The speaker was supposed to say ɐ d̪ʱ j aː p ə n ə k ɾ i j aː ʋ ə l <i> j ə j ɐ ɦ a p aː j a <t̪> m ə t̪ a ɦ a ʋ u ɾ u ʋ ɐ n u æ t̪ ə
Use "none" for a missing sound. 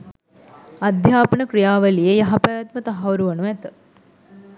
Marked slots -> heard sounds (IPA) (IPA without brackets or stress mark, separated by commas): i, t̪